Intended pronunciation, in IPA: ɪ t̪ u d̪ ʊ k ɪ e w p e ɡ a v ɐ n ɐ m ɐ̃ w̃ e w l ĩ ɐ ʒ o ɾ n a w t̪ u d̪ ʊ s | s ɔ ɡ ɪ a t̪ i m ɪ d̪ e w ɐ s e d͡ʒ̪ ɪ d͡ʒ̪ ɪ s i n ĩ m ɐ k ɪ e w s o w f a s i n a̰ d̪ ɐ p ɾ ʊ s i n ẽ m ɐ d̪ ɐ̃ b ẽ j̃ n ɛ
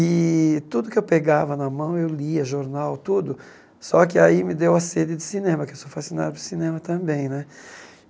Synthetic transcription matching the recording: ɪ t̪ u d̪ ʊ k ɪ e w p e ɡ a v ɐ n ɐ m ɐ̃ w̃ e w l i ɐ ʒ o ɾ n a w t̪ u d̪ ʊ | s ɔ k ɪ a i m ɪ d̪ e w ɐ s e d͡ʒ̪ ɪ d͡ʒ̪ ɪ s i n ẽ m ɐ k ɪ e w s o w f a s i n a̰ d̪ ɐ p ɾ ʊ s i n ẽ m ɐ t̪ ɐ̃ b ẽ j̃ n ɛ